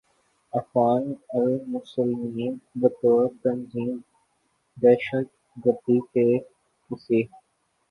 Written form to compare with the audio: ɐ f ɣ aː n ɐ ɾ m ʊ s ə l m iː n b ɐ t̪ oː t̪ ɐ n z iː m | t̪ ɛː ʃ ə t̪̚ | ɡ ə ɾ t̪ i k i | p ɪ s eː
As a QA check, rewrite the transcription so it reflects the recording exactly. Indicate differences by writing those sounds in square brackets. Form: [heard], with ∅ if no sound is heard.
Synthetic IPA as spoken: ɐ f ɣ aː n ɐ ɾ m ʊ s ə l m iː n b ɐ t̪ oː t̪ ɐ n z iː m | [d̪] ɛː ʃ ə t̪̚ | ɡ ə ɾ [d̪] i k [e] | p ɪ s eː